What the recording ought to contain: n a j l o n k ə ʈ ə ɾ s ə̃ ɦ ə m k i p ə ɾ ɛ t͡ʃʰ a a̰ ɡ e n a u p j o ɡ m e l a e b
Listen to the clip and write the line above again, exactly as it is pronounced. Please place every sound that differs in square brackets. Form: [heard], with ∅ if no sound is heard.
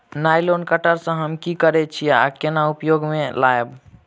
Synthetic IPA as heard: n a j l o n k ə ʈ ə ɾ s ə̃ ɦ ə m k i [k] ə ɾ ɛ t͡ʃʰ [i] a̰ [k] e n a u p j o ɡ m e l a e b